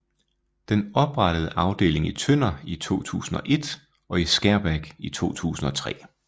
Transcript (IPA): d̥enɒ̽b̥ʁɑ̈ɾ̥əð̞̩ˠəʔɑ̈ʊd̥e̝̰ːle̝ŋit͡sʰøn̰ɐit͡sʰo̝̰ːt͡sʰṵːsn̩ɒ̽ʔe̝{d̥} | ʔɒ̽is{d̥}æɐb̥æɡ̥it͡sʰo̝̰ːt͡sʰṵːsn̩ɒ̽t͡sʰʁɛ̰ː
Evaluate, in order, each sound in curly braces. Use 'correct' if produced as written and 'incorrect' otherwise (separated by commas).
correct, incorrect